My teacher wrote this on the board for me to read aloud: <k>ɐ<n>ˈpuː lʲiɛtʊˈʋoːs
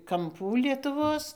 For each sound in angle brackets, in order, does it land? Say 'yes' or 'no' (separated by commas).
yes, no